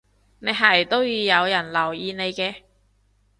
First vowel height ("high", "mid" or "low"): mid